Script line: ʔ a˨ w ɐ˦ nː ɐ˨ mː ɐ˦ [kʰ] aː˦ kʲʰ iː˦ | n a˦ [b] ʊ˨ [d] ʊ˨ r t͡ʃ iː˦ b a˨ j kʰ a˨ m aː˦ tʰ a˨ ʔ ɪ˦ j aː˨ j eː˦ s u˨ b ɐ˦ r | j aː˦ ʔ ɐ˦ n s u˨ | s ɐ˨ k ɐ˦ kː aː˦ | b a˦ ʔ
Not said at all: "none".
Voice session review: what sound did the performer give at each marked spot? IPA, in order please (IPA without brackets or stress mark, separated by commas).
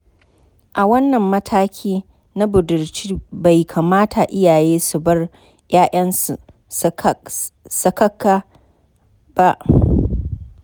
tʰ, b, d